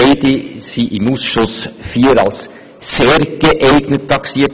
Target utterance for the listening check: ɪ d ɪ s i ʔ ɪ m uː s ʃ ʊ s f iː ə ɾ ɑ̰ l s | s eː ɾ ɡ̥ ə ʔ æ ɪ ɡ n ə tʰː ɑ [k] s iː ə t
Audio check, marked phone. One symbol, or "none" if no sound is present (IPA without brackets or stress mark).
k